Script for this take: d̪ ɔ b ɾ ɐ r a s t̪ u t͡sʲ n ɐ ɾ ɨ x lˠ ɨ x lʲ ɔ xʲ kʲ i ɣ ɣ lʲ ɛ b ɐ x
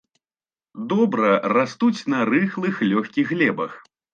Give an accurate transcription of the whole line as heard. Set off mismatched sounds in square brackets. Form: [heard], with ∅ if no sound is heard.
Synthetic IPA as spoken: d̪ ɔ b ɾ ɐ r a s t̪ u t͡sʲ n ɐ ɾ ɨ x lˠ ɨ x lʲ ɔ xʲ kʲ i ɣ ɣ lʲ ɛ b ɐ x